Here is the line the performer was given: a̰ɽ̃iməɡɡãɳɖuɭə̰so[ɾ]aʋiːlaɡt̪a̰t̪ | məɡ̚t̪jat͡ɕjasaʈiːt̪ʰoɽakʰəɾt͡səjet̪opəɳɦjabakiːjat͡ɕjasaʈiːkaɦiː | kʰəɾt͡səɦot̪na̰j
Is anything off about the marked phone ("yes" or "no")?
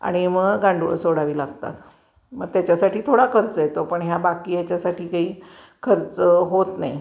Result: yes